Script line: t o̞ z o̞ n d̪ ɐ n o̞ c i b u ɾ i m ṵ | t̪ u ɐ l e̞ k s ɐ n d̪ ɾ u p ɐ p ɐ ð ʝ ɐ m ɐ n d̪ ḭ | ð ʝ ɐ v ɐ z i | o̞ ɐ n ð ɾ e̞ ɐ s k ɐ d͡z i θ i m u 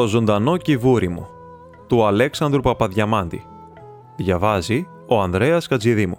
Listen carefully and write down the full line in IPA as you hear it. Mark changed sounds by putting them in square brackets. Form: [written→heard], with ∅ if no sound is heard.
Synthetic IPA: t o̞ z o̞ n d̪ ɐ n o̞ c i [b→v] u ɾ i m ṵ | t̪ u ɐ l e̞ k s ɐ n d̪ ɾ u p ɐ p ɐ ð ʝ ɐ m ɐ n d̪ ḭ | ð ʝ ɐ v ɐ z i | o̞ ɐ n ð ɾ e̞ ɐ s k ɐ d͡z i [θ→ð] i m u